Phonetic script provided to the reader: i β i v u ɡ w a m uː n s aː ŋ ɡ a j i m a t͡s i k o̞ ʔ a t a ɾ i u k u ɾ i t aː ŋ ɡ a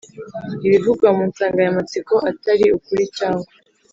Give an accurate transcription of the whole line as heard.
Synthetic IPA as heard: i β i v u ɡ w a m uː n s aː ŋ ɡ a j a m a t͡s i k o̞ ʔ a t a ɾ i u k u ɾ i c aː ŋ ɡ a